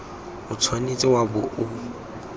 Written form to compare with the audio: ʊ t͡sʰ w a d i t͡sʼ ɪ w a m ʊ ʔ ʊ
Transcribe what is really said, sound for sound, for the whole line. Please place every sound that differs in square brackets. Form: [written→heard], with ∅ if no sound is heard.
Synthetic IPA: ʊ t͡sʰ w a [d→n] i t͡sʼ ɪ w a [m→b] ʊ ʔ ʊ

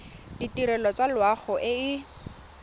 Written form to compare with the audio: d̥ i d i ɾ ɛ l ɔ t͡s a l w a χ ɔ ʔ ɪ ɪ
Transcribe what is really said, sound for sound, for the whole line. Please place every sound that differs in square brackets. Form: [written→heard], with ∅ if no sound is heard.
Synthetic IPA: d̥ i [d→t] i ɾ ɛ l ɔ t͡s a l w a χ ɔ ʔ ɪ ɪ

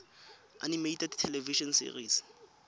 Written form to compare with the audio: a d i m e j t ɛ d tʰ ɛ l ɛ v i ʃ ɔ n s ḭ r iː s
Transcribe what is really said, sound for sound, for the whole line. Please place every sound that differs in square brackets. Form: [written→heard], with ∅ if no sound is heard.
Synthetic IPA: a [d→n] i m e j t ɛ d tʰ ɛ l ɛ v i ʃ ɔ n s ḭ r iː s

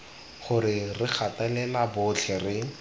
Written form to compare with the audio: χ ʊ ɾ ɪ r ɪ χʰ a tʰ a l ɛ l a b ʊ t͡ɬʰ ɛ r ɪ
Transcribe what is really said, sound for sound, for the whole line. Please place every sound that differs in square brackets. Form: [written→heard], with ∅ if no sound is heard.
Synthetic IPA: χ ʊ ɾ ɪ r ɪ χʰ a [tʰ→t] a l ɛ l a b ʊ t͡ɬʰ ɛ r ɪ

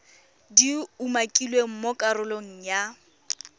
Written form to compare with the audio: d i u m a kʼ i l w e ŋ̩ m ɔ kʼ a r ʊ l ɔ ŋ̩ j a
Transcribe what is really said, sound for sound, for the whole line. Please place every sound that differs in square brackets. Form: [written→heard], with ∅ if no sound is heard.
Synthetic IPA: d i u m a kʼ i l w e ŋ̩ m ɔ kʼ a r ʊ l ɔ ŋ̩ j a

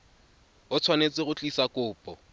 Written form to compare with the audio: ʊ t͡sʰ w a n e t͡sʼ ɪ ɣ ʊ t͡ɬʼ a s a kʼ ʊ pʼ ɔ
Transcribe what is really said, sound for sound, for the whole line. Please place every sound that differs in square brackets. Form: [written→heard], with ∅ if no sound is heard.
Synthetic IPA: ʊ t͡sʰ w a n e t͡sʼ ɪ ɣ ʊ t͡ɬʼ [a→i] s a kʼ [ʊ→ʊː] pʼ ɔ

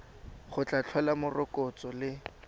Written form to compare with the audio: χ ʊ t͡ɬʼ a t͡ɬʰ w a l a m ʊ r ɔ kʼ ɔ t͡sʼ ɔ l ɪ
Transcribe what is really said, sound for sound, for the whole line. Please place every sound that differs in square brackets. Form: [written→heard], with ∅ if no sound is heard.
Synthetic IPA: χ ʊ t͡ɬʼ a t͡ɬʰ w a l a m ʊ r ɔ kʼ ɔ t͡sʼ ɔ l ɪ

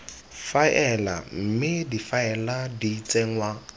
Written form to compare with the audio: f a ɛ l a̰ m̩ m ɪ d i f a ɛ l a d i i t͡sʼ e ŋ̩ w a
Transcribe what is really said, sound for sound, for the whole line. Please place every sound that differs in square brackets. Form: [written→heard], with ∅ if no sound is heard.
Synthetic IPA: f a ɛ l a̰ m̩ m ɪ d i f a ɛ l a d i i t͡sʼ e ŋ̩ w a

